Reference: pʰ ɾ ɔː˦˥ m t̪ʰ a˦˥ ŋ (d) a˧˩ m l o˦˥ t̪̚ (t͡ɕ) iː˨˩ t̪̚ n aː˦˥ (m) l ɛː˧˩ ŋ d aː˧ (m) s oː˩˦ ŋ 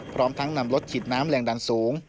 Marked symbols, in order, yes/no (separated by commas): no, no, yes, no